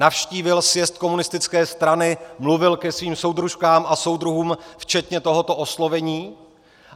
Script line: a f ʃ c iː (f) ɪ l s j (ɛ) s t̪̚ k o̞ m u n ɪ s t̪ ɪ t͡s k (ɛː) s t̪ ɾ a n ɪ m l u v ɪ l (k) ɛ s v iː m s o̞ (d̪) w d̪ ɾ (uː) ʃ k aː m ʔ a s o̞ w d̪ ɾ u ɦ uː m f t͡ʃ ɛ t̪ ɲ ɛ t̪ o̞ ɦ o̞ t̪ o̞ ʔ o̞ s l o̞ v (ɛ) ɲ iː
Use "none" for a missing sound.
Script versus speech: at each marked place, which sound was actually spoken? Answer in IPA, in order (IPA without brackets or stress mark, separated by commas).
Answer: v, ɛ, ɛː, k, none, u, ɛ